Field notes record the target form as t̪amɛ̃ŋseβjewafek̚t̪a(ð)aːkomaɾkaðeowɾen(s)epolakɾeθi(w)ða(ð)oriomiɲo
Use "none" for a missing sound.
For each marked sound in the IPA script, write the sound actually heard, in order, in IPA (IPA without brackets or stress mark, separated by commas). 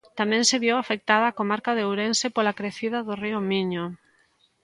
ð, s, none, ð